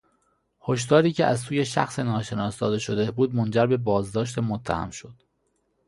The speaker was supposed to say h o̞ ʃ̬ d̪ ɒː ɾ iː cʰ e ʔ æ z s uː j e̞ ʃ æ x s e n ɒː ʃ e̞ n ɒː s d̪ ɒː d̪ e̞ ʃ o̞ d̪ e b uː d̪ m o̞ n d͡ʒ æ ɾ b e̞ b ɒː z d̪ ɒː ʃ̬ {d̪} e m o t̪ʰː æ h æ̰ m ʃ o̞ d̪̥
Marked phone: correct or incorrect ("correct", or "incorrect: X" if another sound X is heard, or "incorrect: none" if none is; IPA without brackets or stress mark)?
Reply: incorrect: t̪